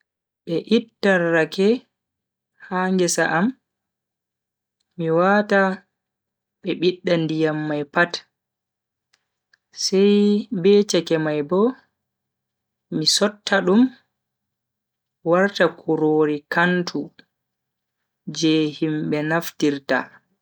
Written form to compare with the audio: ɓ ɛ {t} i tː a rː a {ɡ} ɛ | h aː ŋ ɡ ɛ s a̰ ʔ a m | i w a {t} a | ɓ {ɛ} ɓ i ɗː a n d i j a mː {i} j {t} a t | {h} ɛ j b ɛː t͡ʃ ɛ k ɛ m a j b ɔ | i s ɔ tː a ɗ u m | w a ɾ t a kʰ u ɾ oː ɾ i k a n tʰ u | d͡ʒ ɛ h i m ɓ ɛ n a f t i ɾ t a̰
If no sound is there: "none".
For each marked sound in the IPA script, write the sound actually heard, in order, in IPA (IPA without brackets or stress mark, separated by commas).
ʔ, k, t, ɛ, a, p, s